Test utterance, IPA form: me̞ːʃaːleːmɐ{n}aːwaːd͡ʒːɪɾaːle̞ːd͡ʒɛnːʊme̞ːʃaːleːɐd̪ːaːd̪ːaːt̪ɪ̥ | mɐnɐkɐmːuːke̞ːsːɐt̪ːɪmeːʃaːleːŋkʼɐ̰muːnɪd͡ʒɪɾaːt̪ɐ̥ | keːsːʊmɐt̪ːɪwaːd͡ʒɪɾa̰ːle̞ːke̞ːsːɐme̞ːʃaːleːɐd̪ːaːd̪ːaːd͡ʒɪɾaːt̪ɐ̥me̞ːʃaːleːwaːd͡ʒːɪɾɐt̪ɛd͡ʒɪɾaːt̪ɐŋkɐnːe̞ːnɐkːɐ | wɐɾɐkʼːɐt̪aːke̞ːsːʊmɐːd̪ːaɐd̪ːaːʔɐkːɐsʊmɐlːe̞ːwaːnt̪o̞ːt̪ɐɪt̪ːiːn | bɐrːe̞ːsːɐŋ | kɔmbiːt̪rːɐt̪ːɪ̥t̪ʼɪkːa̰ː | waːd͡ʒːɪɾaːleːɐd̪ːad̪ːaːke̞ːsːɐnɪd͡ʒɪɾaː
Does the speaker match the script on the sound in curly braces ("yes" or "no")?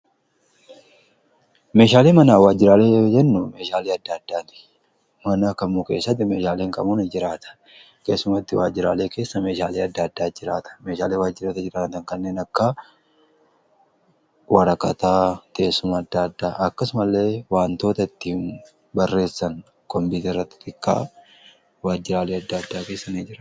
yes